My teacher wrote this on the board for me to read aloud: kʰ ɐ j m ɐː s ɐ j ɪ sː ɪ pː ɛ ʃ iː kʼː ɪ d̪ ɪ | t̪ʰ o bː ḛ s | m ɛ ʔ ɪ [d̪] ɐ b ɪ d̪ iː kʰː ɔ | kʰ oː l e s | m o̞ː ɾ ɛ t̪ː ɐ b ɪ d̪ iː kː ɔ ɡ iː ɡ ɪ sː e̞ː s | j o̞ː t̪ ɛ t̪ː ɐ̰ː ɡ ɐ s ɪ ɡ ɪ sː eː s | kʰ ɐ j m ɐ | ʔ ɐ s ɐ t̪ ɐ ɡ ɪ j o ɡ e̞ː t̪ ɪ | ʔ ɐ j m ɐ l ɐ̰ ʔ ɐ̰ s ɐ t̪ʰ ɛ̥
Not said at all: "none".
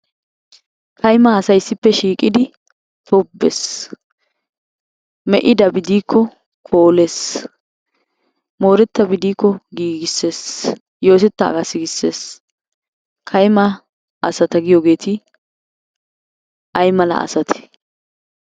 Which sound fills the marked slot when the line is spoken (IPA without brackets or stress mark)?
d̪